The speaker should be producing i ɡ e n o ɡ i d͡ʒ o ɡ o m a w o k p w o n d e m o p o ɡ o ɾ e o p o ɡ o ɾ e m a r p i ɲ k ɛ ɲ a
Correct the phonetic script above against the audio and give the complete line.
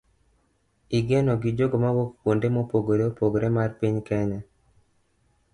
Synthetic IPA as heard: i ɡ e n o ɡ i d͡ʒ o ɡ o m a w o k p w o n d e m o p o ɡ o ɾ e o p o ɡ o ɾ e m a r p i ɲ k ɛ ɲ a